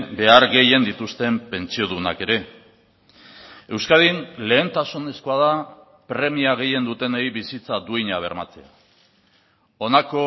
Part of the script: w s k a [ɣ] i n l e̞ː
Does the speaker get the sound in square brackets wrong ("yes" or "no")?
yes